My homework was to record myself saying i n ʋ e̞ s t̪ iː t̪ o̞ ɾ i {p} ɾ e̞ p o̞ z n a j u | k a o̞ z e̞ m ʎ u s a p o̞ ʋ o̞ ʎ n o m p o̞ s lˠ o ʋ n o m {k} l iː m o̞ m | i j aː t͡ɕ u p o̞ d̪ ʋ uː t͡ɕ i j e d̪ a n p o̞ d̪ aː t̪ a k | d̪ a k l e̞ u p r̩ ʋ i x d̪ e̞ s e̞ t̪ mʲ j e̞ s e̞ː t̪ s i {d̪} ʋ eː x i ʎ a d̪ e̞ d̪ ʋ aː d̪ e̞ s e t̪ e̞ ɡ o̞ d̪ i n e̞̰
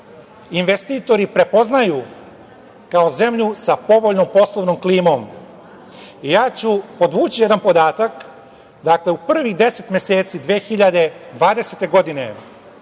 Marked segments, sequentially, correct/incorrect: correct, correct, correct

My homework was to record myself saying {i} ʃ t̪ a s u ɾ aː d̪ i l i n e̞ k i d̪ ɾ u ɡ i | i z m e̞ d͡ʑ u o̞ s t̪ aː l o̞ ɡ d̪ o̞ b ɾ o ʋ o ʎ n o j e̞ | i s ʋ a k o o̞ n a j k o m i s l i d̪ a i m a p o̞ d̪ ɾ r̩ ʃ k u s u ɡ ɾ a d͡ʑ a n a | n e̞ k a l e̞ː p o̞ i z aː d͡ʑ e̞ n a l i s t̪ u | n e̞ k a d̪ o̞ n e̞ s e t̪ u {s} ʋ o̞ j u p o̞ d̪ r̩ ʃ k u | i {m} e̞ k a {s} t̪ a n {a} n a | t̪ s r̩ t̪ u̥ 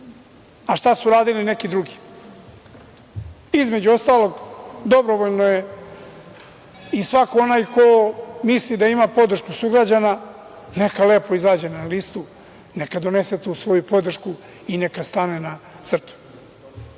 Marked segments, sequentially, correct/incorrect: incorrect, correct, incorrect, correct, incorrect

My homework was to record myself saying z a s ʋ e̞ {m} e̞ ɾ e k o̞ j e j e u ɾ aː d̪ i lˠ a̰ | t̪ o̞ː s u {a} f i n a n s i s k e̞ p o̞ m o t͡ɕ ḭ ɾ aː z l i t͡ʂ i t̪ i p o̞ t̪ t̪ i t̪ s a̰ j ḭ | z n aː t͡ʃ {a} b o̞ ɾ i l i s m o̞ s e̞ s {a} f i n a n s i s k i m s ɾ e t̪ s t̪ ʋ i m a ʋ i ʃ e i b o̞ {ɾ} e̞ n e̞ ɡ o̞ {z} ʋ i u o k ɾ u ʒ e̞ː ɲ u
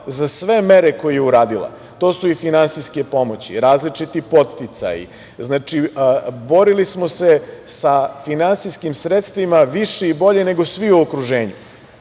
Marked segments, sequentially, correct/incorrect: correct, incorrect, incorrect, correct, incorrect, incorrect

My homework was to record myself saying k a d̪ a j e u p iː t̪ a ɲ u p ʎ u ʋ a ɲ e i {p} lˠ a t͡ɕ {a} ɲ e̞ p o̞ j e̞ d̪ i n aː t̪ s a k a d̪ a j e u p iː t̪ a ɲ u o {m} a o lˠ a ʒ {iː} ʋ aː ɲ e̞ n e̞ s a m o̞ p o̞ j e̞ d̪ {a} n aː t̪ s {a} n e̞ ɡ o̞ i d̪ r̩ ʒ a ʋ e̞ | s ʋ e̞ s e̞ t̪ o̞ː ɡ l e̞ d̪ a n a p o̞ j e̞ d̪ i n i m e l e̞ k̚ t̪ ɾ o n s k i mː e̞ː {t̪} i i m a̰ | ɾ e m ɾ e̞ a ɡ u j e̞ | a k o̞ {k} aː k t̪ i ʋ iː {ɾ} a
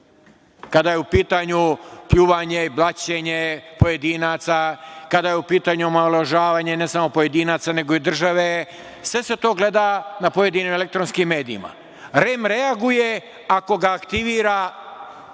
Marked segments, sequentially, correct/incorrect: incorrect, incorrect, correct, incorrect, incorrect, correct, incorrect, incorrect, correct

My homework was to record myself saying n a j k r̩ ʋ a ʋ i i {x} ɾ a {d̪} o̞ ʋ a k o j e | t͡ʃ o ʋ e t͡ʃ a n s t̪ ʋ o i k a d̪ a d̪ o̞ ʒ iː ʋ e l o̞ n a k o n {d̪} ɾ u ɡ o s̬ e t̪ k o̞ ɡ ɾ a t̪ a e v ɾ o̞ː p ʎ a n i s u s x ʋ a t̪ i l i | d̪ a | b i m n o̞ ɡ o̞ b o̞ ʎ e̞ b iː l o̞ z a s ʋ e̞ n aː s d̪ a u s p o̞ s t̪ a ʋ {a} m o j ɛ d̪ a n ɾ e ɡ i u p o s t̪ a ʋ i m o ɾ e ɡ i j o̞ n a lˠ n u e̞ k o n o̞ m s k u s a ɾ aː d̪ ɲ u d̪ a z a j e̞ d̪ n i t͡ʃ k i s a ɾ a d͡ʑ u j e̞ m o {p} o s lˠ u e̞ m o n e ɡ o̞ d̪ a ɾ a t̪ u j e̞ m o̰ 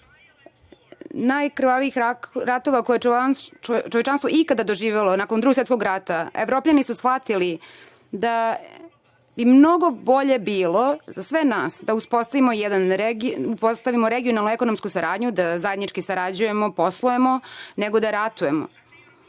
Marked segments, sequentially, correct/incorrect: correct, incorrect, correct, incorrect, correct

